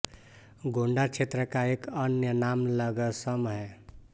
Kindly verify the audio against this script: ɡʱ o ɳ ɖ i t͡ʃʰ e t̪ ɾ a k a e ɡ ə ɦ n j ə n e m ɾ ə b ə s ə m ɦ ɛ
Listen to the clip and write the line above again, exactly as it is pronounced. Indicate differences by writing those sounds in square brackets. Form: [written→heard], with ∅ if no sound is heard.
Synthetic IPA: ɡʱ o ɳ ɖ [i→a] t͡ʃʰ e t̪ ɾ [a→ə] k a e [ɡ→k] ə [ɦ→∅] n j ə n [e→a] m [ɾ→l] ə [b→ɡ] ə s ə m ɦ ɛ